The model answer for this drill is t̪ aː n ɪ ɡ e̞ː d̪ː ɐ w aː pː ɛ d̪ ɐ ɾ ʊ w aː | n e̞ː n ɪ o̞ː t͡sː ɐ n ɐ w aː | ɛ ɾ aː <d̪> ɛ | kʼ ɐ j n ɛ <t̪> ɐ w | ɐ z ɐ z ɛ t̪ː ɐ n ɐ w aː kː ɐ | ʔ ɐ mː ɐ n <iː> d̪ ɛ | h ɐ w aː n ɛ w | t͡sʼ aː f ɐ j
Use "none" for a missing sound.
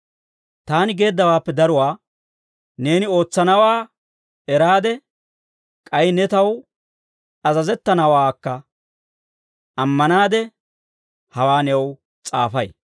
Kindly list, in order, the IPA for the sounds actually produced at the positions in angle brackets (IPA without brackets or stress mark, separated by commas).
d̪, t̪, aː